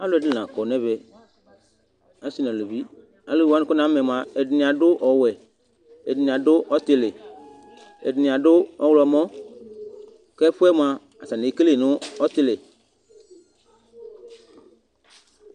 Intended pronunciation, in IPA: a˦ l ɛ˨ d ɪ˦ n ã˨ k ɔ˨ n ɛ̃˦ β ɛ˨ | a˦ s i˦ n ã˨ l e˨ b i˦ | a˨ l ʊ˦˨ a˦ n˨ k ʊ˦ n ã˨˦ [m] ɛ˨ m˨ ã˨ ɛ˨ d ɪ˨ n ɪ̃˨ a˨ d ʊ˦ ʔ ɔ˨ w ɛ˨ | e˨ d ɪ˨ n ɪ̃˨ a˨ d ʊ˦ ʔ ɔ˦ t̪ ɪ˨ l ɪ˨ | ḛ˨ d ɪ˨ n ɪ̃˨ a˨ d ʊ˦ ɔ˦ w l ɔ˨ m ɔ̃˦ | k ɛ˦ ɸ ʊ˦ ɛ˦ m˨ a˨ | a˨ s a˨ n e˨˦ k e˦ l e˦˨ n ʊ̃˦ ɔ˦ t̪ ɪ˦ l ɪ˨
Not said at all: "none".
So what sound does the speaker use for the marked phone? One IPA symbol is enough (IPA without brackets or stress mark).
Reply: m